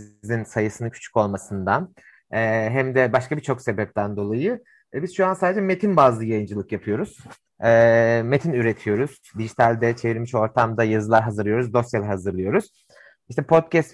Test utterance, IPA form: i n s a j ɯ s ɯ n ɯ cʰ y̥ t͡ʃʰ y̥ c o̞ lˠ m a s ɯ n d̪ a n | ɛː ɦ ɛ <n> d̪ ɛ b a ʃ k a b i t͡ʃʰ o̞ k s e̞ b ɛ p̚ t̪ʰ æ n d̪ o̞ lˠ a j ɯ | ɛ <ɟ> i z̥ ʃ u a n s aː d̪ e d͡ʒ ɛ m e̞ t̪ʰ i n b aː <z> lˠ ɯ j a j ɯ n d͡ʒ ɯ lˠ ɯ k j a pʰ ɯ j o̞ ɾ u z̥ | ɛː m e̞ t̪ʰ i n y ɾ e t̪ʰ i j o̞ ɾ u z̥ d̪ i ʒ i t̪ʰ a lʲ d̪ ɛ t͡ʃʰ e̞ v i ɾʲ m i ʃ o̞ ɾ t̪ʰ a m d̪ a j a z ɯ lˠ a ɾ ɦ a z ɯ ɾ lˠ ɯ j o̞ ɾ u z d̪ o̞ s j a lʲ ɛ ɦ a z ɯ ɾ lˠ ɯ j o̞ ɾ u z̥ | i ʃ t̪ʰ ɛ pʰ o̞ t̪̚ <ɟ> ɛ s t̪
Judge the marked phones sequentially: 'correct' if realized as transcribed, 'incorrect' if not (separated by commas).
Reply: incorrect, incorrect, correct, incorrect